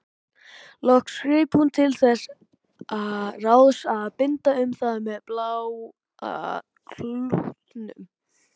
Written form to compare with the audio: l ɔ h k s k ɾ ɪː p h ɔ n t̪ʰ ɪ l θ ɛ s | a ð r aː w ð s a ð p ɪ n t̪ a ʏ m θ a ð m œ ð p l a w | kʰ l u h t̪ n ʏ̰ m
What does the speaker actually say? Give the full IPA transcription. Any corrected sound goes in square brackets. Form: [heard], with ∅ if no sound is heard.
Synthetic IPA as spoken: l ɔ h k s k ɾ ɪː p h [u] n t̪ʰ ɪ l θ ɛ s | a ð r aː w ð s a ð p ɪ n t̪ a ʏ m θ a ð m [ɛ] ð p l a w | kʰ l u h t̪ n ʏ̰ m